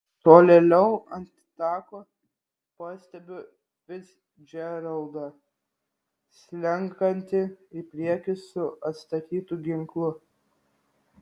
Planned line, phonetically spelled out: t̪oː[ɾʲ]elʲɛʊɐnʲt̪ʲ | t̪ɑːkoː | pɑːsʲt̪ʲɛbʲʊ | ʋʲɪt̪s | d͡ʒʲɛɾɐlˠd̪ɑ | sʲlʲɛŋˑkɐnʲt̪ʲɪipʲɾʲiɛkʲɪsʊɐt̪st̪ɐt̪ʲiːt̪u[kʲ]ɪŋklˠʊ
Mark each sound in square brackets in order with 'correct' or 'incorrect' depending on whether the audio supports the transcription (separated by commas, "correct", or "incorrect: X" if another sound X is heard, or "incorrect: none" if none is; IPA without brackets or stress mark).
incorrect: lʲ, incorrect: ɡʲ